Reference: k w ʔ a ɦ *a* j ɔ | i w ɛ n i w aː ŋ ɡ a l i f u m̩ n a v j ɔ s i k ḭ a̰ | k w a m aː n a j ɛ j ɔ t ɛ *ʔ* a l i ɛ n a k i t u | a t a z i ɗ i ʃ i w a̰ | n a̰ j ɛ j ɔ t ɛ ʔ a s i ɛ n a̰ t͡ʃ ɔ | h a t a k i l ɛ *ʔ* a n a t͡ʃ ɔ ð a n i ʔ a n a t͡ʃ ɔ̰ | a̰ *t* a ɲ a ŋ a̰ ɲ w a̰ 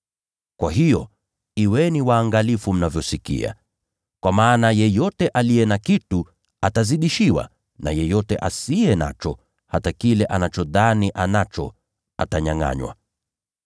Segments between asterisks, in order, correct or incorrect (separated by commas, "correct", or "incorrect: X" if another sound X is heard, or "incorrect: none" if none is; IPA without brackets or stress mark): incorrect: i, correct, correct, correct